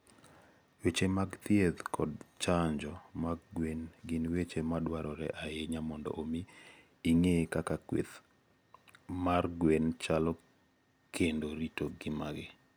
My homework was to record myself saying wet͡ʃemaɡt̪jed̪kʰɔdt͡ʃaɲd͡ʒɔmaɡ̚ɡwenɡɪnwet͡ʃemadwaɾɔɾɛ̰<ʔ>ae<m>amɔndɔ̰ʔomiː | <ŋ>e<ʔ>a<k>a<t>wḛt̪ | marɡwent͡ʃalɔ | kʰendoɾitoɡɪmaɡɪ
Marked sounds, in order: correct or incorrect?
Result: correct, incorrect: ɲ, correct, incorrect: k, correct, incorrect: k

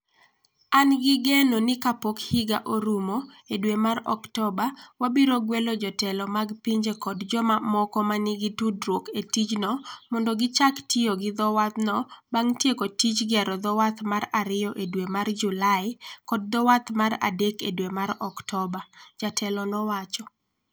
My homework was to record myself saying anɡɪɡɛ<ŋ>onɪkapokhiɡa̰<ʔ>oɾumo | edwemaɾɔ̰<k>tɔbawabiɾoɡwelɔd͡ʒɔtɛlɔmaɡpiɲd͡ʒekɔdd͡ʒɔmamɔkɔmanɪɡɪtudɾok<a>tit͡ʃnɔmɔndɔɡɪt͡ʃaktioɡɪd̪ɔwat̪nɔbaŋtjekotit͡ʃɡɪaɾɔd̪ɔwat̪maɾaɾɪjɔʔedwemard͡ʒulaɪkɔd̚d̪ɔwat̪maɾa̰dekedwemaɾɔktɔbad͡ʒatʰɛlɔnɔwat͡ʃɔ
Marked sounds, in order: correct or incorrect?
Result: incorrect: n, correct, correct, incorrect: e

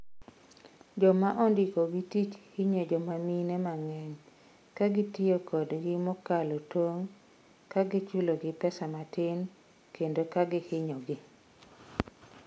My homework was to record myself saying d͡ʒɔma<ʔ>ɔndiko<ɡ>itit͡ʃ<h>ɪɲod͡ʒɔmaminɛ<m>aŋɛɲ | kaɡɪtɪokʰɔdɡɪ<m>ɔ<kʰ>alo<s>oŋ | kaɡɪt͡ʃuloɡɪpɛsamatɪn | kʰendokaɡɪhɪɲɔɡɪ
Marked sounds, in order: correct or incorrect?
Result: correct, correct, correct, correct, correct, incorrect: k, incorrect: t

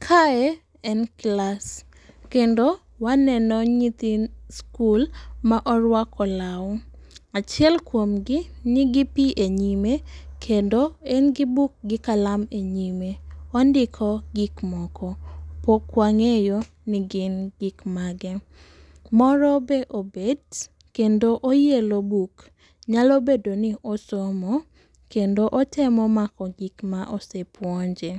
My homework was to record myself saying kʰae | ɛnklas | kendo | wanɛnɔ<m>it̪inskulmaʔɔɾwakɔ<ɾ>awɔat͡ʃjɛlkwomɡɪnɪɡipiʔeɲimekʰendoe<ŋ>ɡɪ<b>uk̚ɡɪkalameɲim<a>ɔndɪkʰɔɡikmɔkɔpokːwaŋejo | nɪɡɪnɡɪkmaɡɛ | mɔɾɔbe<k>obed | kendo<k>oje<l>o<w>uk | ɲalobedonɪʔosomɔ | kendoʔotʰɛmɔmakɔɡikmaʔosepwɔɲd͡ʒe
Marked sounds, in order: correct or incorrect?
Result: incorrect: ɲ, incorrect: l, incorrect: n, correct, incorrect: e, incorrect: ʔ, incorrect: ʔ, correct, incorrect: b

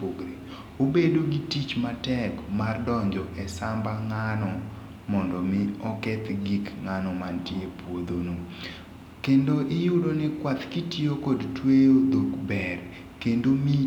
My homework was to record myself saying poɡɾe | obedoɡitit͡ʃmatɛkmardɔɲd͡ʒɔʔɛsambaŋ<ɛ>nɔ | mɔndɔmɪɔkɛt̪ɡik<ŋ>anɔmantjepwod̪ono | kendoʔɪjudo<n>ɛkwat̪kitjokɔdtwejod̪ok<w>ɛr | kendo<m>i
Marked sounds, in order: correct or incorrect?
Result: incorrect: a, correct, correct, incorrect: b, correct

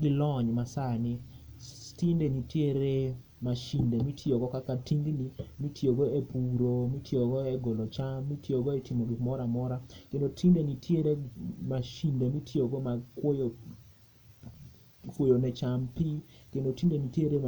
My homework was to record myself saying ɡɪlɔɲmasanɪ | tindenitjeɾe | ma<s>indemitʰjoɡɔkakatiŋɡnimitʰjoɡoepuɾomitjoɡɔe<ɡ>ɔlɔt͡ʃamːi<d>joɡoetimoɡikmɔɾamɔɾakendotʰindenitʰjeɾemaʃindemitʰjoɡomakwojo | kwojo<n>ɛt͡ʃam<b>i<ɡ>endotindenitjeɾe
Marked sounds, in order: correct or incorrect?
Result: incorrect: ʃ, correct, incorrect: t, correct, incorrect: p, incorrect: k

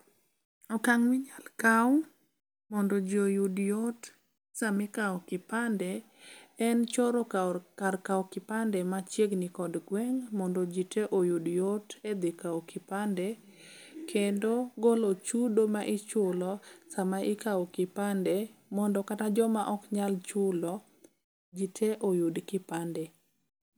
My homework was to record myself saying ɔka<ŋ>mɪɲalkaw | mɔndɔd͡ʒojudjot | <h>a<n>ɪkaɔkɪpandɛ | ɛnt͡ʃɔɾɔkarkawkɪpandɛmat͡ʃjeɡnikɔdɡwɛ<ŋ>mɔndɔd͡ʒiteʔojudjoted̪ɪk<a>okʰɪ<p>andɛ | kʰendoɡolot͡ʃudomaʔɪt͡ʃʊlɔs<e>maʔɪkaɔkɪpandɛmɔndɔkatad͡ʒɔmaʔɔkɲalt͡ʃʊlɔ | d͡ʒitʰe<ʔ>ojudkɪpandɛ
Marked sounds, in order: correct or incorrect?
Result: correct, incorrect: s, incorrect: m, correct, correct, correct, incorrect: a, correct

